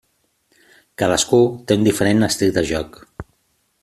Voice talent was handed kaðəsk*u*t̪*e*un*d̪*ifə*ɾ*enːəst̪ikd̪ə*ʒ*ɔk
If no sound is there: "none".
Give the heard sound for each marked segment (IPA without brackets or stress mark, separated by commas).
u, e, d̪, ɾ, ʒ